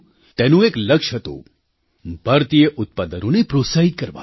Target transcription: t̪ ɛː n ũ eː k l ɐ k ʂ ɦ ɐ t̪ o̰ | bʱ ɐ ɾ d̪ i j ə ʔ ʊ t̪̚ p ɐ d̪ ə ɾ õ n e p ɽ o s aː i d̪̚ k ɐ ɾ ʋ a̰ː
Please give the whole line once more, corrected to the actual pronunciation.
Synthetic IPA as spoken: t̪ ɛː n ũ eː k l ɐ k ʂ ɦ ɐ t̪ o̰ | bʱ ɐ ɾ t̪ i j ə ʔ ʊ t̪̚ p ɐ d̪ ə ɾ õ n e p ɾ o s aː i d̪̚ k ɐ ɾ ʋ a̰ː